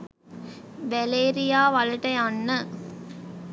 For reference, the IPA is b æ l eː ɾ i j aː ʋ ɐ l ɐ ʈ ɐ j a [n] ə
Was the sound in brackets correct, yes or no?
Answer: no